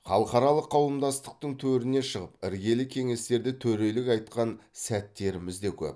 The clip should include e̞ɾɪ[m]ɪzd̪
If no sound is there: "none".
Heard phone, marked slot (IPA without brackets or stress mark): m